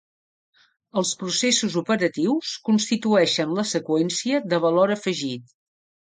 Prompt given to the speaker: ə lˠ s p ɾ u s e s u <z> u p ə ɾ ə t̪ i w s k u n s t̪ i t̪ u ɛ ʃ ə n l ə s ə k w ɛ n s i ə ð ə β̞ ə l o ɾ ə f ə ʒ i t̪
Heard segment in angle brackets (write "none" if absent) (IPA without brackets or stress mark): z